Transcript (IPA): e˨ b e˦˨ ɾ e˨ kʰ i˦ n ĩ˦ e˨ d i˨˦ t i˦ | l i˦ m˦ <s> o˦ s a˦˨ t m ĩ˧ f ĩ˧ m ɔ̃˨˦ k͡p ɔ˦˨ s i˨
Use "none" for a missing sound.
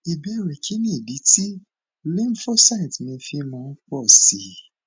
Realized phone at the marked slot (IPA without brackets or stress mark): f